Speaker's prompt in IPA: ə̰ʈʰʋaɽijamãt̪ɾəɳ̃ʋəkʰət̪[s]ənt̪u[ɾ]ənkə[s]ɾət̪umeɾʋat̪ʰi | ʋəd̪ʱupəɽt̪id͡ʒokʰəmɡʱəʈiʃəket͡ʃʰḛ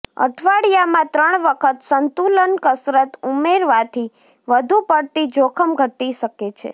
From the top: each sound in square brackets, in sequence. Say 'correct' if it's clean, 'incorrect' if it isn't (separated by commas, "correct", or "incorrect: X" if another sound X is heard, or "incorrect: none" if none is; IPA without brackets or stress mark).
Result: correct, incorrect: l, correct